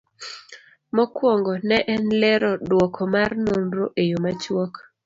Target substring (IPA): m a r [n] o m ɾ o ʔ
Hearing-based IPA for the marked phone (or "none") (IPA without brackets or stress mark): n